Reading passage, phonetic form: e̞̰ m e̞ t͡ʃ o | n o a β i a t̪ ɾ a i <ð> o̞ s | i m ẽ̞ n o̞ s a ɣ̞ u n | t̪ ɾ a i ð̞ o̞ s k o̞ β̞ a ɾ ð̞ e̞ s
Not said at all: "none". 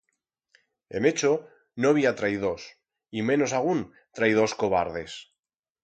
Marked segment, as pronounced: ð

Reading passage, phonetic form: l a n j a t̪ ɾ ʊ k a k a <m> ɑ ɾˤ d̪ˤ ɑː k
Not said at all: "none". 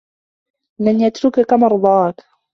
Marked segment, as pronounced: m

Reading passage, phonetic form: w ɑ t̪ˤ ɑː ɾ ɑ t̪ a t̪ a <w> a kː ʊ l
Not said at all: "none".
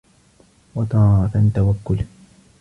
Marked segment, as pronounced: w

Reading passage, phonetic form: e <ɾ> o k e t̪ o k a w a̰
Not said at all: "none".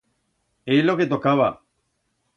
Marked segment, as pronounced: l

